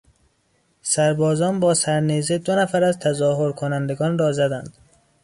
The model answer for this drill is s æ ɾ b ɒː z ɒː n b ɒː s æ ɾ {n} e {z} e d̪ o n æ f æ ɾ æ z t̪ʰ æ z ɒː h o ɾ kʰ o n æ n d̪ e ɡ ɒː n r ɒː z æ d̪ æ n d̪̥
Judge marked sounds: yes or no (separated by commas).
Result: yes, yes